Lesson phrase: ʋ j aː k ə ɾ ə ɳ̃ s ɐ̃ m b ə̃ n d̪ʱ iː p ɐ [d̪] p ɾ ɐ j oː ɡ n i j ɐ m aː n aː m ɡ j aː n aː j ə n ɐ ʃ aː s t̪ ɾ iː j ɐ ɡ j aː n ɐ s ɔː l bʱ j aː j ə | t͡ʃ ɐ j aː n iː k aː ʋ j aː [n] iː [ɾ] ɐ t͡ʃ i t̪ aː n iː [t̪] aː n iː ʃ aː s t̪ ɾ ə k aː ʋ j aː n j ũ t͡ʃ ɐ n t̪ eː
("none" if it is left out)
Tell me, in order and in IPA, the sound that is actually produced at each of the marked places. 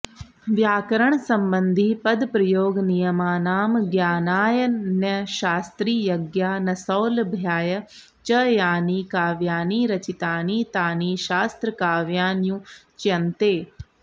d̪, n, ɾ, t̪

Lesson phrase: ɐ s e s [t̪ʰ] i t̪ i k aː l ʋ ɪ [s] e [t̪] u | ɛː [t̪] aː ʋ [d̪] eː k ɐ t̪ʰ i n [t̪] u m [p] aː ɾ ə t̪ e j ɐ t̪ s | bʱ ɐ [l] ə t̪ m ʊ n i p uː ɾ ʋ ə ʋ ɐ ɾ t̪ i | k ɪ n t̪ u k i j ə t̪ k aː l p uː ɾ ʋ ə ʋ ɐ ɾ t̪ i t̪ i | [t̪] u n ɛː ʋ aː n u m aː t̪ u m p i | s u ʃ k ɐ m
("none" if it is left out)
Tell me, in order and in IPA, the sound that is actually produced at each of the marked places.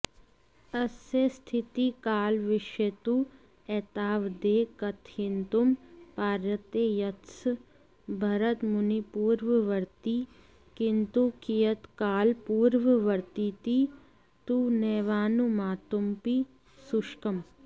t̪ʰ, ʃ, t̪, t̪, d̪, t̪, p, ɾ, t̪

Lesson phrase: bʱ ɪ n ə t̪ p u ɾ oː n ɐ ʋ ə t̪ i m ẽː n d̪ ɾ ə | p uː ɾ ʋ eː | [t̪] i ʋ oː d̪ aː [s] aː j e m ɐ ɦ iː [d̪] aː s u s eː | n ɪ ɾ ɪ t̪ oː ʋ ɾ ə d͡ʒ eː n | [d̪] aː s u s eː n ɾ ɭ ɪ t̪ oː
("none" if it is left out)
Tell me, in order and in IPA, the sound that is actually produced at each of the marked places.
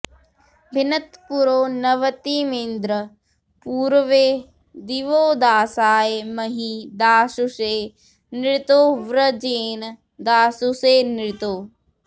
d̪, s, d̪, d̪

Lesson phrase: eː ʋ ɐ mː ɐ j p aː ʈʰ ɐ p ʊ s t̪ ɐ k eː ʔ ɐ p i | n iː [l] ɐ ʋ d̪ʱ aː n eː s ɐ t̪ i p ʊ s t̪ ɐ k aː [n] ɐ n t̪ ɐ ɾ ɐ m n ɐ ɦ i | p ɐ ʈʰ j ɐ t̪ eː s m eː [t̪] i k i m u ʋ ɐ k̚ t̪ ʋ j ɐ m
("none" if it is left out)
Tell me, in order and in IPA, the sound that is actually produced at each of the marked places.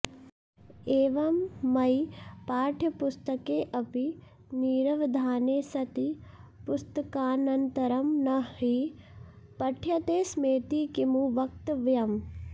ɾ, n, t̪

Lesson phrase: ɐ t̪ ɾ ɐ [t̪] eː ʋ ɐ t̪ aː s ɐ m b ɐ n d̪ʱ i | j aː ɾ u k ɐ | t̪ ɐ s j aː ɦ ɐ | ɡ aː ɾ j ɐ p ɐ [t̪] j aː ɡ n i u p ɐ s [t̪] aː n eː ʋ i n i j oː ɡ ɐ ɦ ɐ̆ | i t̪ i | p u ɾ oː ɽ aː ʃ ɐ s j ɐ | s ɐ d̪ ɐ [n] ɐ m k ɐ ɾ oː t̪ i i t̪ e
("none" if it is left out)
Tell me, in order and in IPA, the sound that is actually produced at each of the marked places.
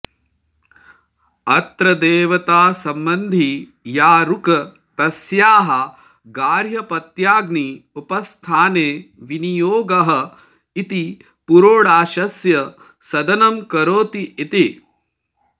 d̪, t̪, t̪ʰ, n

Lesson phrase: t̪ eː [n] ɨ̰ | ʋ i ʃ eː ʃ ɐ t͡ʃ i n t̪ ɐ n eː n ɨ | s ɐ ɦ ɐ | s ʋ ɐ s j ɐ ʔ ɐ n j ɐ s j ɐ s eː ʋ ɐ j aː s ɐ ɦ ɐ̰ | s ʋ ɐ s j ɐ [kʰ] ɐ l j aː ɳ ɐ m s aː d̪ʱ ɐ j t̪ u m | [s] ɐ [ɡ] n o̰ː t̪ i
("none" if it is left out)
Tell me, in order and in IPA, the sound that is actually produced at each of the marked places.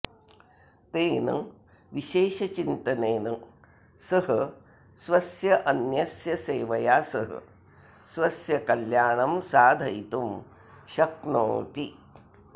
n, k, ʃ, k

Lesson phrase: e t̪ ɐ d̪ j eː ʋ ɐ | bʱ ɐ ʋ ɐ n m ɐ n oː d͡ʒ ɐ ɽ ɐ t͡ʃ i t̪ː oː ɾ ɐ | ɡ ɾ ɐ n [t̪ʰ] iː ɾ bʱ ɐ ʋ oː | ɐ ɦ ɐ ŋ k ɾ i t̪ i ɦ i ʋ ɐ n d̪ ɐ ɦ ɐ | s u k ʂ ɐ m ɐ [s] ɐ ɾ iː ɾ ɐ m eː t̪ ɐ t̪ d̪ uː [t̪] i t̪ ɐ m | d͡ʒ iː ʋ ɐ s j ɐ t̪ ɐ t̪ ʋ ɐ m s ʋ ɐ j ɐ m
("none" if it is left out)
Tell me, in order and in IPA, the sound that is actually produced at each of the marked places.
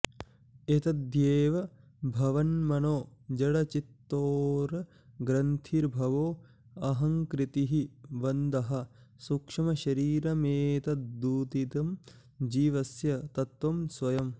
t̪ʰ, ʃ, t̪

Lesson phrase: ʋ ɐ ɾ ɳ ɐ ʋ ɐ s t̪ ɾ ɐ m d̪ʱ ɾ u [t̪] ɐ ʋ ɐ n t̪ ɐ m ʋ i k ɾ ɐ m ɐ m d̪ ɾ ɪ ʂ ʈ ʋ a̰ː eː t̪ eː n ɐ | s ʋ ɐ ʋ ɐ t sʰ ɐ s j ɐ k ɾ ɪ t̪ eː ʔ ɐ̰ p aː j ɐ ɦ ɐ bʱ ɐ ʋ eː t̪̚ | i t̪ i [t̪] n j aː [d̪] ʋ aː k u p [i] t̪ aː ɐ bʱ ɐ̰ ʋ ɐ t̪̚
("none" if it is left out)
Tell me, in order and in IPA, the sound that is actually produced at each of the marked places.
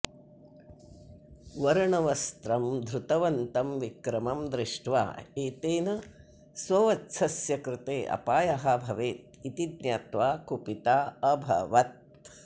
t̪, d̪, t̪, i

